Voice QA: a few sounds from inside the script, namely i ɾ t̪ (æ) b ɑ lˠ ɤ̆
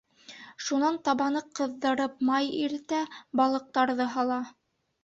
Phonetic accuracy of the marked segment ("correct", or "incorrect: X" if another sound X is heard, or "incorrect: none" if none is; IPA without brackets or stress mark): correct